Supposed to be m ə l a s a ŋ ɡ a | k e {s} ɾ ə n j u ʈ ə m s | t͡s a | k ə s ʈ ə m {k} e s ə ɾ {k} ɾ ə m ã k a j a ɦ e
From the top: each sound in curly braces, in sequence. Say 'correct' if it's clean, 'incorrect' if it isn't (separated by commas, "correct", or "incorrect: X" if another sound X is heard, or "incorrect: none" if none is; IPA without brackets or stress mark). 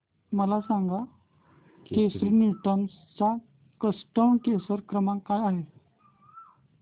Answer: correct, correct, correct